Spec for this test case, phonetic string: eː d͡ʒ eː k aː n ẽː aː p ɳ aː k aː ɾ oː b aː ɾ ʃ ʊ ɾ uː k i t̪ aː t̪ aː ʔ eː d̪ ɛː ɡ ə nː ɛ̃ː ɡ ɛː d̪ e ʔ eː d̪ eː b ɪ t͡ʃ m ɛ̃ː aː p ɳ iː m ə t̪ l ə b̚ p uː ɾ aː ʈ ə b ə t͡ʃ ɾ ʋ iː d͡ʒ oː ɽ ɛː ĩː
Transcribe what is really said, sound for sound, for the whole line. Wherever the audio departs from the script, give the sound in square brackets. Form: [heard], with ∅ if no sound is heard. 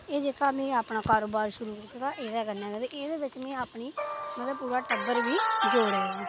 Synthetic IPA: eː d͡ʒ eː k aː [m] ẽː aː p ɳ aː k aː ɾ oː b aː ɾ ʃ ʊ ɾ uː k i t̪ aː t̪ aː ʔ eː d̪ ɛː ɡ ə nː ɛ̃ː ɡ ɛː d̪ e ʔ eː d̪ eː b ɪ t͡ʃ m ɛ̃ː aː p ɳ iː m ə t̪ l ə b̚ p uː ɾ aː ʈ ə b ə [∅] ɾ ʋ iː d͡ʒ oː ɽ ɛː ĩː